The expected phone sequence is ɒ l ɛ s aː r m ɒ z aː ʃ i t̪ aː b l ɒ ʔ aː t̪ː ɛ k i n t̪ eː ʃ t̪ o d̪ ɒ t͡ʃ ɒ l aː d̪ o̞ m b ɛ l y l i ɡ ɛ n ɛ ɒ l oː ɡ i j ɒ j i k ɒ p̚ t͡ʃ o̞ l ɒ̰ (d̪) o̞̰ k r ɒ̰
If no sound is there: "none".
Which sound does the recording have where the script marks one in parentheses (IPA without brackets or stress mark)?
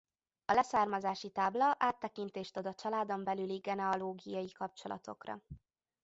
t̪